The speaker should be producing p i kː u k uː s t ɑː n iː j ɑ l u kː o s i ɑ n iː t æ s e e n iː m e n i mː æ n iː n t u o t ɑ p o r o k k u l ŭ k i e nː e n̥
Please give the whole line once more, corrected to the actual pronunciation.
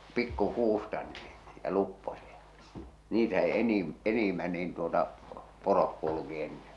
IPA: p i kː u k uː s t ɑ n iː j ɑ l u pː o s i ɑ n iː t æ s e e n i m e n i mː æ n iː n t u o t ɑ p o r o k k u l ŭ k i e nː e n̥